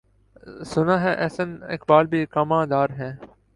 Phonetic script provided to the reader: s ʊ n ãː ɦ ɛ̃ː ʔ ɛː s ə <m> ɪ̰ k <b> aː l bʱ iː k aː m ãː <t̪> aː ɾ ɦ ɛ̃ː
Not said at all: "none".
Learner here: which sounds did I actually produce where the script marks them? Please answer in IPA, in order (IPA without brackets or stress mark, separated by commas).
n, b, d̪